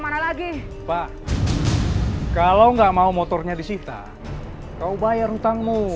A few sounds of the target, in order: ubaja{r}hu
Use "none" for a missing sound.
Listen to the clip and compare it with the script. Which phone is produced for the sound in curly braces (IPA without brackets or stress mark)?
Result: r